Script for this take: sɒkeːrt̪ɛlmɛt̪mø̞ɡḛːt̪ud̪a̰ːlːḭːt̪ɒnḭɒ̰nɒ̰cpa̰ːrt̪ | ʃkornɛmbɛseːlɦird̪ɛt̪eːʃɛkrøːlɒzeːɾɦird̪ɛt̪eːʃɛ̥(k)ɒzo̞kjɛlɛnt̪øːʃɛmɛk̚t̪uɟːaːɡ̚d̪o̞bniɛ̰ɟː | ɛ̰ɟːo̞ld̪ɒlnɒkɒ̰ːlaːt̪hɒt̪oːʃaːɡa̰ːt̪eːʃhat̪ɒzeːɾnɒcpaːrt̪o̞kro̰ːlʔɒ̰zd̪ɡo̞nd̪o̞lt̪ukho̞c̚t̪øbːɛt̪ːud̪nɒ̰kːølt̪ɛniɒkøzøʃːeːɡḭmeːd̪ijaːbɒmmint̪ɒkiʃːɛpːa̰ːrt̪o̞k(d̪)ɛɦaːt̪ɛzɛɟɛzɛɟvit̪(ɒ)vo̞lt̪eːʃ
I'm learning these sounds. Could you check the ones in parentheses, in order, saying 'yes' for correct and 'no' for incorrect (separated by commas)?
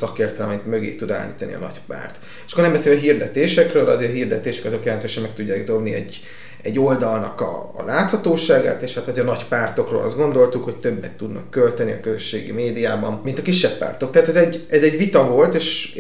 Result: yes, no, yes